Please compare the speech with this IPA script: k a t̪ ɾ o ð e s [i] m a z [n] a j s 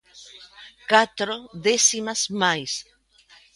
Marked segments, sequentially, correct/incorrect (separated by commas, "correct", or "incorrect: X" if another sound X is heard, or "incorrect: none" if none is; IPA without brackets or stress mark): correct, incorrect: m